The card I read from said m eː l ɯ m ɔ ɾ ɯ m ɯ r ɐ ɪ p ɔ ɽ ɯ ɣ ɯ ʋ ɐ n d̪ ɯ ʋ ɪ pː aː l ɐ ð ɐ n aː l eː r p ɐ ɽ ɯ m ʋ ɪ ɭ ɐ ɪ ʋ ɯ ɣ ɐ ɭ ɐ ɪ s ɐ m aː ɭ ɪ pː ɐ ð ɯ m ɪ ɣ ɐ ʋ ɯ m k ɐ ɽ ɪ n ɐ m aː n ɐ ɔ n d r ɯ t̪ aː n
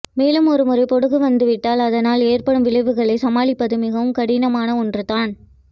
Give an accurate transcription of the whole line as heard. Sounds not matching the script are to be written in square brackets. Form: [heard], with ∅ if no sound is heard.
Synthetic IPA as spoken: m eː l ɯ m ɔ ɾ ɯ m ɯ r ɐ ɪ p ɔ ɽ ɯ ɣ ɯ ʋ ɐ n d̪ ɯ ʋ ɪ [ʈː] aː l ɐ ð ɐ n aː l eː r p ɐ ɽ ɯ m ʋ ɪ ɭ ɐ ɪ ʋ ɯ ɣ ɐ ɭ ɐ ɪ s ɐ m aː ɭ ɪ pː ɐ ð ɯ m ɪ ɣ ɐ ʋ ɯ m k ɐ ɽ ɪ n ɐ m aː n ɐ ɔ n d r ɯ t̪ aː n